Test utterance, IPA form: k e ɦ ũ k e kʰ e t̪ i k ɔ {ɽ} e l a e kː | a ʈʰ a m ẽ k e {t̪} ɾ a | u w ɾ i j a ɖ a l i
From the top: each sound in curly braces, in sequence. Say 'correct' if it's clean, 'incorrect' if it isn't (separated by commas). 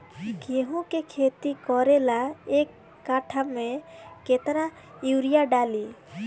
incorrect, correct